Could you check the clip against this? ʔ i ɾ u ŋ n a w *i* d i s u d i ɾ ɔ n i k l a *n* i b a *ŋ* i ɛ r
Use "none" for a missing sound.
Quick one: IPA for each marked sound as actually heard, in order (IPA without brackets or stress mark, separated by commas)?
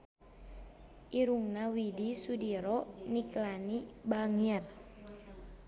i, n, ŋ